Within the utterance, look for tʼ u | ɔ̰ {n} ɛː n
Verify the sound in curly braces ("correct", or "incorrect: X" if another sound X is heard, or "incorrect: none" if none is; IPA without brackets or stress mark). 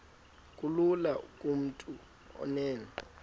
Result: correct